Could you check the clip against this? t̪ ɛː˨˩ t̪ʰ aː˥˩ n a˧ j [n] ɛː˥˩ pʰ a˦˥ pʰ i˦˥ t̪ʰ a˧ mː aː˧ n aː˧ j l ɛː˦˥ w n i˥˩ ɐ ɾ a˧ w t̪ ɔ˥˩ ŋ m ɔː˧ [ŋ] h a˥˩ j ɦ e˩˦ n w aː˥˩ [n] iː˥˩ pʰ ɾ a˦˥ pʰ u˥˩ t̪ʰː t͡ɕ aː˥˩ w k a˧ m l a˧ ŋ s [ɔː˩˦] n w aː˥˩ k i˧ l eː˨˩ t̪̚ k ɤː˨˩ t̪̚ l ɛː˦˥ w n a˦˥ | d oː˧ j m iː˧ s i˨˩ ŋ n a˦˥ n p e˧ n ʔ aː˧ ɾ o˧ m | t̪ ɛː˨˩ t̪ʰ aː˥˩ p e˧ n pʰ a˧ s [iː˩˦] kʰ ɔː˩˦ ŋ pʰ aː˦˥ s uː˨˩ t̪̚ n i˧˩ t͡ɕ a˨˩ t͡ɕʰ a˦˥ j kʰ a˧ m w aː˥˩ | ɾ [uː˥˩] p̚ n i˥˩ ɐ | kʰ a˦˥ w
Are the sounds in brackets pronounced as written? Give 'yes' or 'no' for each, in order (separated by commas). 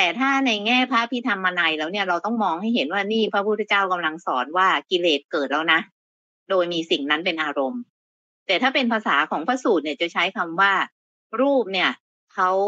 no, yes, yes, yes, no, yes